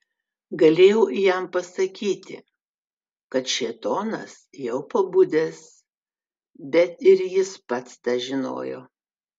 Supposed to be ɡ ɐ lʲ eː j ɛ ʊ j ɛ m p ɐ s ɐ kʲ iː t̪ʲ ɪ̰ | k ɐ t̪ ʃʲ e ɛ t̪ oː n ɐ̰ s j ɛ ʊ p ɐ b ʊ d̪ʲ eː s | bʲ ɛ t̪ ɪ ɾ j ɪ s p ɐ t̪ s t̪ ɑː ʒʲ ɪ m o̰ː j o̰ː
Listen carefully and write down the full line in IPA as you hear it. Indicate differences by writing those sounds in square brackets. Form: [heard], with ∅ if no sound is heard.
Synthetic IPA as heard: ɡ ɐ lʲ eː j ɛ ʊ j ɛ m p ɐ s ɐ kʲ iː t̪ʲ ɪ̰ | k ɐ t̪ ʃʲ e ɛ t̪ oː n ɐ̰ s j ɛ ʊ p ɐ b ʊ d̪ʲ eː s | bʲ ɛ t̪ ɪ ɾ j ɪ s p ɐ t̪ s t̪ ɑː ʒʲ ɪ [n] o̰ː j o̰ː